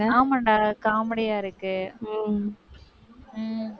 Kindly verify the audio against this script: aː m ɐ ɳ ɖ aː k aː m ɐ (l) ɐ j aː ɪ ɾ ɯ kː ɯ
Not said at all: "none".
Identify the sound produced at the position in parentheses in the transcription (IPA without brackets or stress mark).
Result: ɽ